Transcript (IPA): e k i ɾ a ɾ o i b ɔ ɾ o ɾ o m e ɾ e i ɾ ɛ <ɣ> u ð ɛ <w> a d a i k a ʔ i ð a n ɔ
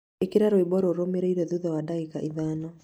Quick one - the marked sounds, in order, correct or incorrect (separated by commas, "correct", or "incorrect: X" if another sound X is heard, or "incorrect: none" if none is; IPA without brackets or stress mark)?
incorrect: ð, correct